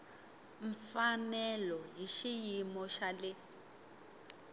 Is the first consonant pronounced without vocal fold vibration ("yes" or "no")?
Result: no